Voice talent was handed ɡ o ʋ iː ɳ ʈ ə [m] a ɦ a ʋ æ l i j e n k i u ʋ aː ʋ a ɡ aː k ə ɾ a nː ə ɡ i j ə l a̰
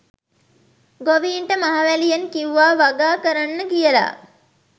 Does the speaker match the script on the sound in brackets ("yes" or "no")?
yes